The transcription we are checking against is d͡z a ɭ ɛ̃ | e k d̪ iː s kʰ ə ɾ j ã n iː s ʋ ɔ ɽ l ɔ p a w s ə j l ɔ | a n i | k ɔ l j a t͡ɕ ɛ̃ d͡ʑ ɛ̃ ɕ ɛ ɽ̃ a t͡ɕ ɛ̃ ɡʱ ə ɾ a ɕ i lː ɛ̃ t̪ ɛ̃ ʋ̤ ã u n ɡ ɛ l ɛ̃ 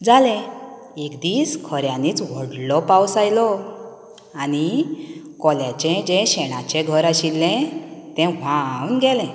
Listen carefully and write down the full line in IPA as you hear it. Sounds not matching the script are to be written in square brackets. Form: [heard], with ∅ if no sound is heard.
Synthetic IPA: d͡z a [l] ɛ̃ | e k d̪ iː s kʰ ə ɾ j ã n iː [t͡s] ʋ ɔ ɽ l ɔ p a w s [a] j l ɔ | a n i | k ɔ l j a t͡ɕ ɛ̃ d͡ʑ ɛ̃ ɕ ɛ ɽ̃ a t͡ɕ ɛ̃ ɡʱ ə ɾ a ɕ i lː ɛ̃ t̪ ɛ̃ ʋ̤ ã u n ɡ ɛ l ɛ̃

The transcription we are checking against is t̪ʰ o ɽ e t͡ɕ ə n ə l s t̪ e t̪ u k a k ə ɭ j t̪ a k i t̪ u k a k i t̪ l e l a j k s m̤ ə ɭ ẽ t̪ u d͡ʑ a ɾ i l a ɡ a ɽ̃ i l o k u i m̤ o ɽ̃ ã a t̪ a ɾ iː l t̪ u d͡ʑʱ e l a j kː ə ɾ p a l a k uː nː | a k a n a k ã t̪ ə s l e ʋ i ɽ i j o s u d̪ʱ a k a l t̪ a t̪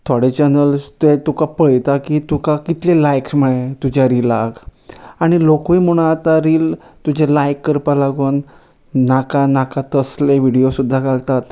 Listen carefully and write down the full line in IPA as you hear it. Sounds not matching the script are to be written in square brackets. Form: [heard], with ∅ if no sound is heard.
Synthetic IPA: t̪ʰ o ɽ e t͡ɕ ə n ə l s t̪ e t̪ u k a [p] ə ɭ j t̪ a k i t̪ u k a k i t̪ l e l a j k s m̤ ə ɭ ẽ t̪ u d͡ʑ a ɾ i l a ɡ a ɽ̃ i l o k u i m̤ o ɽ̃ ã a t̪ a ɾ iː l t̪ u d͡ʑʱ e l a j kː ə ɾ p a l a [ɡ] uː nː | a k a n a k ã t̪ ə s l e ʋ i ɽ i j o s u [d̪ʱː] a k a l t̪ a t̪

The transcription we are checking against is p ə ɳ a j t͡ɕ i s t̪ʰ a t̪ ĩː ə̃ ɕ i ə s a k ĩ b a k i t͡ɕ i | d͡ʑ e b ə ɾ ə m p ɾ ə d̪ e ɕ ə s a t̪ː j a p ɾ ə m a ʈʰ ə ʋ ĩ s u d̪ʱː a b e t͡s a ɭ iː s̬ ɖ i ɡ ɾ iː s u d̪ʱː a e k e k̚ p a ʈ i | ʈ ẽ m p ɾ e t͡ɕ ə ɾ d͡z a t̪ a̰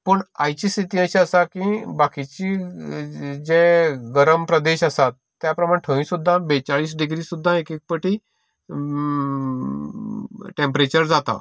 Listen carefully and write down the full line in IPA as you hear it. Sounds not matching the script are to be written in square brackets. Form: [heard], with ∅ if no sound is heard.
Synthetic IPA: p ə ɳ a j t͡ɕ i s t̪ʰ [i] t̪ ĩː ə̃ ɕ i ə s a k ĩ b a k i t͡ɕ i | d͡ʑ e [ɡ] ə ɾ ə m p ɾ ə d̪ e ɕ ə s a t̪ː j a p ɾ ə m a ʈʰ ə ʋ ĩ s u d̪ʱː a b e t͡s a ɭ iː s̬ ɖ i ɡ ɾ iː s u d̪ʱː a e k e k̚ p [ə] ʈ i | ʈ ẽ m p ɾ e t͡ɕ ə ɾ d͡z a t̪ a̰

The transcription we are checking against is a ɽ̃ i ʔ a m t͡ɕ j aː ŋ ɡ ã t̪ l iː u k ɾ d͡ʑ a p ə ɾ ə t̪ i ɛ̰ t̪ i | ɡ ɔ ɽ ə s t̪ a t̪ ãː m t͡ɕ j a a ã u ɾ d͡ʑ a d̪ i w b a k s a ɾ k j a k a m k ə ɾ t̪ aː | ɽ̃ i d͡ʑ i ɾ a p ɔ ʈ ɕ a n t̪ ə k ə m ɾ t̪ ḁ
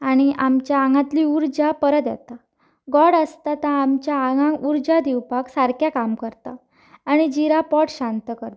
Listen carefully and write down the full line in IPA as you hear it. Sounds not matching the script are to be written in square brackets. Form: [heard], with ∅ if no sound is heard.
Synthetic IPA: a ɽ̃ i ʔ a m t͡ɕ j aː ŋ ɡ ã t̪ l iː u [∅] ɾ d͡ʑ a p ə ɾ ə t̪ [j] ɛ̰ t̪ [a] | ɡ ɔ ɽ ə s t̪ a t̪ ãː m t͡ɕ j a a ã u ɾ d͡ʑ a d̪ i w [p] a k s a ɾ k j a k a m k ə ɾ t̪ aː | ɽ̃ i d͡ʑ i ɾ a p ɔ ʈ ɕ a n t̪ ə k ə [∅] ɾ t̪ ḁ

